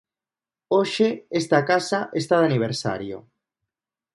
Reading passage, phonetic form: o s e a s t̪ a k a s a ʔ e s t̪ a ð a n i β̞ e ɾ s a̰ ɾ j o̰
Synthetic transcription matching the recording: o ʃ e e s t̪ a k a s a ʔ e s t̪ a ð a n i β̞ e ɾ s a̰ ɾ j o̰